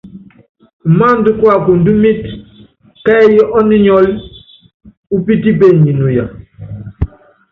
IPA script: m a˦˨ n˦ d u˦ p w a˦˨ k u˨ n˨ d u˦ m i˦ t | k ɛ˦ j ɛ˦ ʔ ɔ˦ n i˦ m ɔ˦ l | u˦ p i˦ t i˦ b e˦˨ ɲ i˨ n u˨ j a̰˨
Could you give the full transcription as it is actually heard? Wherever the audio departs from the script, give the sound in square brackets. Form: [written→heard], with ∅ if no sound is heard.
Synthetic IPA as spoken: m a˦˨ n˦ d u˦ [p→k] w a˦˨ k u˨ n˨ d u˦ m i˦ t | k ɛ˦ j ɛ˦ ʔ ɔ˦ n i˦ [m→ɲ] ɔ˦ l | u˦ p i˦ t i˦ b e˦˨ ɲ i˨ n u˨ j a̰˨